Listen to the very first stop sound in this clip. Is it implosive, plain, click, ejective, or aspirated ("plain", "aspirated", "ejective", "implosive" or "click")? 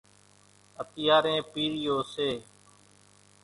plain